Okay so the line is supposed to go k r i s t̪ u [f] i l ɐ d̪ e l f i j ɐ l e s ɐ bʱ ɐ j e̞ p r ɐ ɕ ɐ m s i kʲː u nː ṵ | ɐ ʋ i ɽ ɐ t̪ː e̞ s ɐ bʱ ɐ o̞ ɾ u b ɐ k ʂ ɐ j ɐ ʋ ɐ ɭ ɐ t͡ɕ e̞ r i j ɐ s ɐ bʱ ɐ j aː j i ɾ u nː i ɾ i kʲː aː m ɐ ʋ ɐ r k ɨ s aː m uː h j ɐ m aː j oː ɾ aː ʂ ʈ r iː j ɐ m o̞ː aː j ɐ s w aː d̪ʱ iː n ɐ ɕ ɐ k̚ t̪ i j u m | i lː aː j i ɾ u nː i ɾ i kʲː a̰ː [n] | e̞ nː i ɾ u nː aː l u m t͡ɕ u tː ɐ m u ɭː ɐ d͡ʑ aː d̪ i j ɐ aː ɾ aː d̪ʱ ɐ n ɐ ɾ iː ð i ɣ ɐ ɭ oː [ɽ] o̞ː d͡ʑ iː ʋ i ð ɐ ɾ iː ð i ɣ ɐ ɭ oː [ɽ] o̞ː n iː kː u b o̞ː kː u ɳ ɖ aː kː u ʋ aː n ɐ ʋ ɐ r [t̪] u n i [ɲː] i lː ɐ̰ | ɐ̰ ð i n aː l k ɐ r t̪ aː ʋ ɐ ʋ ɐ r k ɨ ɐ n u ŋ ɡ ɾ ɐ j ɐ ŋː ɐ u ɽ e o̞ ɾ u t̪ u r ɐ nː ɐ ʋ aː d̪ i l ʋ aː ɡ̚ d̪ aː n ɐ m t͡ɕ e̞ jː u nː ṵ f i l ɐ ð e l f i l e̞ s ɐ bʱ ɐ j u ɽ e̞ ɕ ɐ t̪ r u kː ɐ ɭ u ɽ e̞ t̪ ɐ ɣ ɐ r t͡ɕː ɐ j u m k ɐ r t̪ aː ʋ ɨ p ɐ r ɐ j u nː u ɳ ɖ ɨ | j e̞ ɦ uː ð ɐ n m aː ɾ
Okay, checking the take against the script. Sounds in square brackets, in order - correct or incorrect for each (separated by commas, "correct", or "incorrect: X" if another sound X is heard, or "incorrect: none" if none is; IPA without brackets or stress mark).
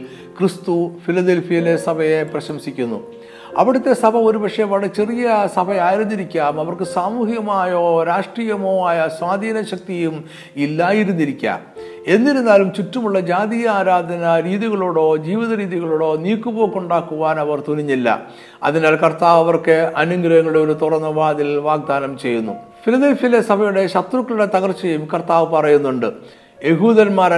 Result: correct, incorrect: m, correct, correct, correct, correct